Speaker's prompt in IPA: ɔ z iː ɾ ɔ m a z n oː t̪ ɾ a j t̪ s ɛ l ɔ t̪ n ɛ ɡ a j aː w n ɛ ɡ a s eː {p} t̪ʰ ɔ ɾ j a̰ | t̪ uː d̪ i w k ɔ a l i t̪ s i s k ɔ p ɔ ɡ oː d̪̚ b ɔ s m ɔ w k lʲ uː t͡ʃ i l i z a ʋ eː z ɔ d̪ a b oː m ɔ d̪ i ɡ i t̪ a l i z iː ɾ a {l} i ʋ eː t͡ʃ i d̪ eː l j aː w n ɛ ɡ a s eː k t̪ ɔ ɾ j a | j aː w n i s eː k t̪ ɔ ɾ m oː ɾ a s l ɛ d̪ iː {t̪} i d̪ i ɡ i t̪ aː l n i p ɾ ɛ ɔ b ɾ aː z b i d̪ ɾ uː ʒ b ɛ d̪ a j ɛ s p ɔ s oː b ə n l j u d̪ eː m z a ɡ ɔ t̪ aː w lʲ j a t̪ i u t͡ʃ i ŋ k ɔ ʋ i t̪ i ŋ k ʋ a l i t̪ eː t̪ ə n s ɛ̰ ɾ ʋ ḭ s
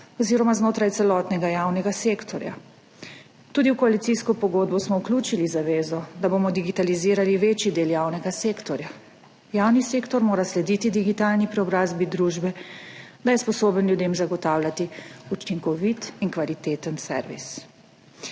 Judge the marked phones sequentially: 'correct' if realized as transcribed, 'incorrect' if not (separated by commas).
incorrect, correct, correct